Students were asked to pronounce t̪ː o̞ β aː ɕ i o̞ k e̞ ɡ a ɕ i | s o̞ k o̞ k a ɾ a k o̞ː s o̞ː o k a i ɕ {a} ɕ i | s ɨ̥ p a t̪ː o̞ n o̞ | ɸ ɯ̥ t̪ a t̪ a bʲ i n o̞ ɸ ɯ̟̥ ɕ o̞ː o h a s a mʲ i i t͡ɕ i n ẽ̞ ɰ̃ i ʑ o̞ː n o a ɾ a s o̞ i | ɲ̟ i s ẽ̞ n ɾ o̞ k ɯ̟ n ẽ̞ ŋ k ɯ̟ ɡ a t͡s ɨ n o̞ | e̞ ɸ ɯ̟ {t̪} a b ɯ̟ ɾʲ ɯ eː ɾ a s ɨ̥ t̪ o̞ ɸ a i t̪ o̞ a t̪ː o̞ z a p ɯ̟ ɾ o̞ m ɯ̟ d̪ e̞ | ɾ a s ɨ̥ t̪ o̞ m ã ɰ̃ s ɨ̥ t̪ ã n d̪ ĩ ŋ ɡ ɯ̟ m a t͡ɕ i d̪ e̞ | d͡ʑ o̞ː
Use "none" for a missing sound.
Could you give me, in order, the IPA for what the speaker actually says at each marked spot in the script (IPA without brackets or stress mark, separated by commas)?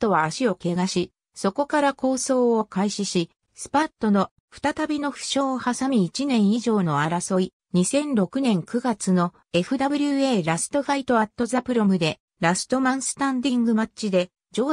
i, d̪